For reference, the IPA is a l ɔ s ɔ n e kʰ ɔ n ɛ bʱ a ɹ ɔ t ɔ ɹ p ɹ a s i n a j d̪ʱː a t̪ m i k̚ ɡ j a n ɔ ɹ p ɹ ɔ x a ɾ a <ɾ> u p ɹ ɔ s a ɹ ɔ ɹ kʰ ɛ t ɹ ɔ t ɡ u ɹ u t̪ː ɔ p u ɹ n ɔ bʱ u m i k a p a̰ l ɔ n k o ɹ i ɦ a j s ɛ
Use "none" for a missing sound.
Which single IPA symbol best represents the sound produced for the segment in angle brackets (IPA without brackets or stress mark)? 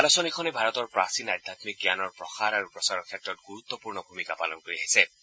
ɹ